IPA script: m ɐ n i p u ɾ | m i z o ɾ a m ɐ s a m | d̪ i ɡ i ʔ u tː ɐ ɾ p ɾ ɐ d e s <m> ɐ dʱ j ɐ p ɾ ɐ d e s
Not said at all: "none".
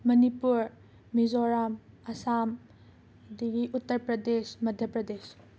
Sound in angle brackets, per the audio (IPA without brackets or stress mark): m